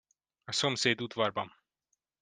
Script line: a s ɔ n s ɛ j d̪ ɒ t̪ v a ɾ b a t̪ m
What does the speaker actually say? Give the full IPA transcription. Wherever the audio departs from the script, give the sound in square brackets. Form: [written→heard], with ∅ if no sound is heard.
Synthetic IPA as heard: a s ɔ [n→m] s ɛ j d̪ [ɒ→u] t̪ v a ɾ b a [t̪→∅] m